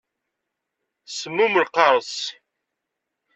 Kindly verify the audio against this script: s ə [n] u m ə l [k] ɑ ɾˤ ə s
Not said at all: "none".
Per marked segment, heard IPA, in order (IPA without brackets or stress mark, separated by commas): m, q